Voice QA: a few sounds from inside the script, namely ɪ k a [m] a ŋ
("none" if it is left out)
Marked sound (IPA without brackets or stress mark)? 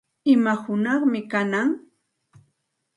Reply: n